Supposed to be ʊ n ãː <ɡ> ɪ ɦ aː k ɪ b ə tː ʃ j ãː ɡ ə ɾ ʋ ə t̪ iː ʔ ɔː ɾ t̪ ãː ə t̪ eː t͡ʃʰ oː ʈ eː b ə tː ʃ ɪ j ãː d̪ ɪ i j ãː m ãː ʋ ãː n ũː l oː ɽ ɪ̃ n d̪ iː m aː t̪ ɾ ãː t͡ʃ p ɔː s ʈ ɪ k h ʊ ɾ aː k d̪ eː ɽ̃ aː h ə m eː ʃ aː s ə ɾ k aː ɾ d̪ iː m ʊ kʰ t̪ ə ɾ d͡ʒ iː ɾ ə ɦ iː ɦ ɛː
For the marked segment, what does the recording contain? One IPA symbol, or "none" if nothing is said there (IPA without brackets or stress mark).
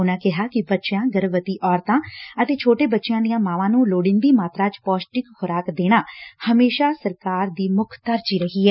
k